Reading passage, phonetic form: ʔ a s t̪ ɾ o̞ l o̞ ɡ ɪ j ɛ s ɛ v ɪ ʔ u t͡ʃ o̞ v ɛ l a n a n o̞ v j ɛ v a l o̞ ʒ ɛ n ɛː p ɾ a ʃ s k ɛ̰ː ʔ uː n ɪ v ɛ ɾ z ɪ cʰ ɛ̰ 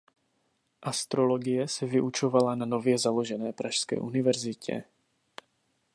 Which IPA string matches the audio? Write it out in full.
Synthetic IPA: ʔ a s t̪ ɾ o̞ l o̞ ɡ ɪ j ɛ s ɛ v ɪ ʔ u t͡ʃ o̞ v a l a n a n o̞ v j ɛ z a l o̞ ʒ ɛ n ɛː p ɾ a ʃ s k ɛ̰ː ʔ u n ɪ v ɛ ɾ z ɪ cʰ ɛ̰

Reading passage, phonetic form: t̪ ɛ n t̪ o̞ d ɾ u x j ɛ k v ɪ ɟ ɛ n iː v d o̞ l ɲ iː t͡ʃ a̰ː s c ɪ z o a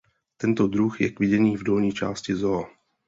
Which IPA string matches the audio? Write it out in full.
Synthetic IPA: t̪ ɛ n t̪ o̞ d ɾ u x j ɛ k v ɪ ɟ ɛ n iː v d o̞ l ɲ iː t͡ʃ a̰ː s c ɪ z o a

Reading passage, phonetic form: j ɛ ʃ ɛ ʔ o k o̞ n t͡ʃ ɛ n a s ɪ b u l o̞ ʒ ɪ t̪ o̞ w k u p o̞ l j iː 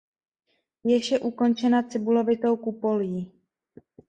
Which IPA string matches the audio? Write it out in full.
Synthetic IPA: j ɛ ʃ ɛ ʔ u k o̞ n t͡ʃ ɛ n a t͡s ɪ b u l o̞ v ɪ t̪ o̞ w k u p o̞ l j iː

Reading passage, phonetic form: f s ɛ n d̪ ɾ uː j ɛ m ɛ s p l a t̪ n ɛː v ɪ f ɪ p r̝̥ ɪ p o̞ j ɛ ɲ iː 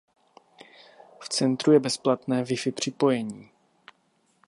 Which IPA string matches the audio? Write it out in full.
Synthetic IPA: f t͡s ɛ n t̪ ɾ u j ɛ b ɛ s p l a t̪ n ɛː v ɪ f ɪ p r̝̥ ɪ p o̞ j ɛ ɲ iː

